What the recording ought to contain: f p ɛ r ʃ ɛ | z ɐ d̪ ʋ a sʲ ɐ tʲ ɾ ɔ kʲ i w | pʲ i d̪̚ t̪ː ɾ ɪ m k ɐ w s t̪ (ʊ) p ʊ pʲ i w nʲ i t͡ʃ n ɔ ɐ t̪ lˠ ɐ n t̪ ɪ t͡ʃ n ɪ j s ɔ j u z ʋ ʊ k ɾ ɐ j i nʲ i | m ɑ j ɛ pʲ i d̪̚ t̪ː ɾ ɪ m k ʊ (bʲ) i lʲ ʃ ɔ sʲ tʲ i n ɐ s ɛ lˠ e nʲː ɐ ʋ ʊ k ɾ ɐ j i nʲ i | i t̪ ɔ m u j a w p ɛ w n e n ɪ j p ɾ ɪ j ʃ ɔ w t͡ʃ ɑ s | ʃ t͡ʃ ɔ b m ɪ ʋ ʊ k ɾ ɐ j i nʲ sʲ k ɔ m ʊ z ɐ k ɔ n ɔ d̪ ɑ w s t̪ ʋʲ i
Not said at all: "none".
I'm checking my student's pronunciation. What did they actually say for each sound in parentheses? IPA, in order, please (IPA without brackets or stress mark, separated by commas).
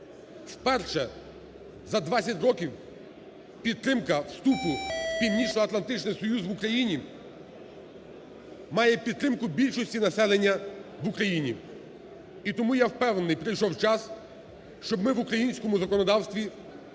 u, bʲ